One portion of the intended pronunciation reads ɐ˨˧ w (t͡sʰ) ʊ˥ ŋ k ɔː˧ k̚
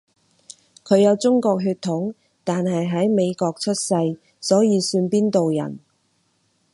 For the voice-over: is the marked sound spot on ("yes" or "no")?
no